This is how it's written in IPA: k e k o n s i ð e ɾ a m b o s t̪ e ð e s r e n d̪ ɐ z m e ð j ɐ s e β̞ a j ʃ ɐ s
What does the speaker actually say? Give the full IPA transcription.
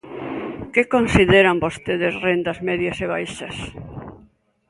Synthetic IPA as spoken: k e k o n s i ð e ɾ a m b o s t̪ e ð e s r e n d̪ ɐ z m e ð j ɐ s e β̞ a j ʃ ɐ s